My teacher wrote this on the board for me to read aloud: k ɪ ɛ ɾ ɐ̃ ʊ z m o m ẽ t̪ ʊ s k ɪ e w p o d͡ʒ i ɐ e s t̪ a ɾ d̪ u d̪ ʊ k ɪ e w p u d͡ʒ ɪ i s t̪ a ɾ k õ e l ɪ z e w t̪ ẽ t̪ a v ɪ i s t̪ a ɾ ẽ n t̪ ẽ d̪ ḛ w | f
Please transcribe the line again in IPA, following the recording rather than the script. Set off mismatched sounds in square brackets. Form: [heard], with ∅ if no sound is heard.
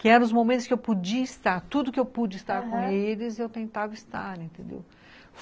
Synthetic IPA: k ɪ ɛ ɾ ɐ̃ ʊ z m o m ẽ t̪ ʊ s k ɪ e w p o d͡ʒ i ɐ [i] s t̪ a ɾ [t̪] u d̪ ʊ k ɪ e w p u d͡ʒ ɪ i s t̪ a ɾ k õ e l ɪ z e w t̪ ẽ t̪ a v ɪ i s t̪ a ɾ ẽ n t̪ ẽ d̪ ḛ w | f

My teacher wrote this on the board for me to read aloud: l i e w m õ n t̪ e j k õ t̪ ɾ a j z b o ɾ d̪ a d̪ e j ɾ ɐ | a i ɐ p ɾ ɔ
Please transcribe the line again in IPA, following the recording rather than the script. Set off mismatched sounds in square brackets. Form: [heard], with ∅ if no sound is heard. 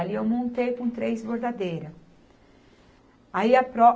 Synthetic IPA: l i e w m õ n t̪ e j k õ t̪ ɾ [e] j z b o ɾ d̪ a d̪ e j ɾ ɐ | a i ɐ p ɾ ɔ

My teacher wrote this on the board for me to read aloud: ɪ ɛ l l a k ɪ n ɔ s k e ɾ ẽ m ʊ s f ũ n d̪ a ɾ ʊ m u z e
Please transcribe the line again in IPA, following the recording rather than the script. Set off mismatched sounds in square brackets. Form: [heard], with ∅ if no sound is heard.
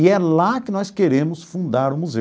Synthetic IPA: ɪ ɛ l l a k ɪ n ɔ s k e ɾ ẽ m ʊ s f ũ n d̪ a ɾ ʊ m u z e

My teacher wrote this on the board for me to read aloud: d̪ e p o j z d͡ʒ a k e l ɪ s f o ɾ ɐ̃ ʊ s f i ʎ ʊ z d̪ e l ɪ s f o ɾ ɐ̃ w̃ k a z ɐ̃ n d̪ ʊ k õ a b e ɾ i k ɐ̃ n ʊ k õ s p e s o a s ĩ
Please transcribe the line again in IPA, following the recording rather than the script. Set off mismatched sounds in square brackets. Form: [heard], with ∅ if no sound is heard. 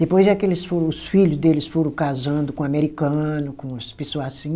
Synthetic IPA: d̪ e p o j z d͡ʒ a k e l ɪ s f o ɾ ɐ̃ ʊ s f i ʎ ʊ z d̪ e l ɪ s f o ɾ ɐ̃ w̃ k a z ɐ̃ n d̪ ʊ k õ a [m] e ɾ i k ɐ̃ n ʊ k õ s p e s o a s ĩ

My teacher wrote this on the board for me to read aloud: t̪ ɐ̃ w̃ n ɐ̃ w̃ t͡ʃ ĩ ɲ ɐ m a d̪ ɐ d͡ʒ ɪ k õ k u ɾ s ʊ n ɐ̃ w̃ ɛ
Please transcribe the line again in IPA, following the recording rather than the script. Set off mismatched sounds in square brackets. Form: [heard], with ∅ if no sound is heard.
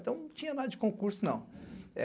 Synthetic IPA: t̪ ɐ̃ w̃ n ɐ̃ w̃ t͡ʃ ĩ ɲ ɐ [n] a d̪ ɐ d͡ʒ ɪ k õ k u ɾ s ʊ n ɐ̃ w̃ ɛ

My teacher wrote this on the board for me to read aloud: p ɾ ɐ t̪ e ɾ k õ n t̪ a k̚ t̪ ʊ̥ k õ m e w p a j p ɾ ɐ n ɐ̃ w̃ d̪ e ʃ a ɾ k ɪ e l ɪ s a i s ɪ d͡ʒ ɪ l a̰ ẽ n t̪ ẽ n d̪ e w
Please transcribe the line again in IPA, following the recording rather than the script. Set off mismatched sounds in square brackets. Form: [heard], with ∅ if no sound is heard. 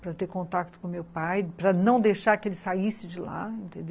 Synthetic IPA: p ɾ ɐ t̪ e ɾ k õ n t̪ a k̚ t̪ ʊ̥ k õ m e w p a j p ɾ ɐ n ɐ̃ w̃ d̪ e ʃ a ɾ k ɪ e l ɪ s a i s ɪ d͡ʒ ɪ l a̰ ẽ n t̪ ẽ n d̪ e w

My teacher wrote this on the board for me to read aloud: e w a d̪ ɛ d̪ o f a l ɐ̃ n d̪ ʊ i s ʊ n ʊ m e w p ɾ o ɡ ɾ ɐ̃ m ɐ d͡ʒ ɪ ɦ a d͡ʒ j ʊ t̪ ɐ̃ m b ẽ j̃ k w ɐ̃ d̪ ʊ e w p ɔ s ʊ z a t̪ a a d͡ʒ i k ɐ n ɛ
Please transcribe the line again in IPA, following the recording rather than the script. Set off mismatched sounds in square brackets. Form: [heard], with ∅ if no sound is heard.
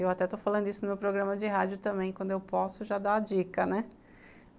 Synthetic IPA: e w a [t̪] ɛ [t̪] o f a l ɐ̃ n d̪ ʊ i s ʊ n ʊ m e w p ɾ o ɡ ɾ ɐ̃ m ɐ d͡ʒ ɪ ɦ a d͡ʒ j ʊ t̪ ɐ̃ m b ẽ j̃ k w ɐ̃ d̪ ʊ e w p ɔ s ʊ [ʒ] a [d̪] a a d͡ʒ i k ɐ n ɛ

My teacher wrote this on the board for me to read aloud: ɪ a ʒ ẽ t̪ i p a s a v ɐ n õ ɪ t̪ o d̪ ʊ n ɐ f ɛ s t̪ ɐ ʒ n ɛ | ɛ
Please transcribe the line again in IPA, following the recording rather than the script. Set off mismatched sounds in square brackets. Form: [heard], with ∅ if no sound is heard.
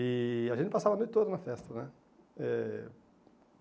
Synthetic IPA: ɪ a ʒ ẽ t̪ [ɪ] p a s a v ɐ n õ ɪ t̪ o d̪ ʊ n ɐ f ɛ s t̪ ɐ [∅] n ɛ | ɛ

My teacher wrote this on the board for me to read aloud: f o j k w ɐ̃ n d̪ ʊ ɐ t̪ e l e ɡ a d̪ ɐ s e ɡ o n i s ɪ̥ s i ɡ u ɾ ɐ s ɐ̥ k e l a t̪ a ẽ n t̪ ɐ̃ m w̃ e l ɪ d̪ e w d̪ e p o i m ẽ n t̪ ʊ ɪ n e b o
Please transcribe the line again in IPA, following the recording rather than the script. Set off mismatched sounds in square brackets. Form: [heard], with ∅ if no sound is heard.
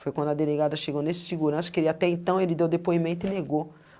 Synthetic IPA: f o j k w ɐ̃ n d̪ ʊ ɐ [d̪] e l e ɡ a d̪ ɐ [ʃ] e ɡ o n [e] s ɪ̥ s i ɡ u ɾ [ɐ̃] s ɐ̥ k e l a t̪ [ɛ] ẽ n t̪ ɐ̃ [∅] w̃ e l ɪ d̪ e w d̪ e p o i m ẽ n t̪ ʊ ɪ n e [ɡ] o

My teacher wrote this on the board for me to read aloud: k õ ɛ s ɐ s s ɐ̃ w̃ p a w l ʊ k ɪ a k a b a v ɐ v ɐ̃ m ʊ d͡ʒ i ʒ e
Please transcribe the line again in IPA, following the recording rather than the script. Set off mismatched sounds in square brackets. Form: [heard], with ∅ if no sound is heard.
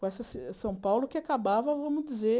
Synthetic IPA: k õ ɛ s ɐ s s ɐ̃ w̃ p a w l ʊ k ɪ a k a b a v ɐ v ɐ̃ m ʊ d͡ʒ i [z] e

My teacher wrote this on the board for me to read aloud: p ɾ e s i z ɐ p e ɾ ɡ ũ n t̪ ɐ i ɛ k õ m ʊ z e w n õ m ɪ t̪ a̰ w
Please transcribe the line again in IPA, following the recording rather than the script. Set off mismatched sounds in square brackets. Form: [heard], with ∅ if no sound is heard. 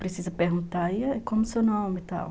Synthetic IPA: p ɾ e s i z ɐ p e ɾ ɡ ũ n t̪ [a] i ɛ k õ m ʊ [s] e w n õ m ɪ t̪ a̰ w

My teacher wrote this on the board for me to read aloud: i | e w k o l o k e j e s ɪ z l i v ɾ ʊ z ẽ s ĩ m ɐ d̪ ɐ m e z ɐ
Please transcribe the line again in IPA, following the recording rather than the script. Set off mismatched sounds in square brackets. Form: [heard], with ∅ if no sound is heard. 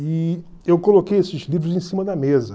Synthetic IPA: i | e w k o l o k e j e s ɪ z l i v ɾ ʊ z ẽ s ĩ m ɐ d̪ ɐ m e z ɐ

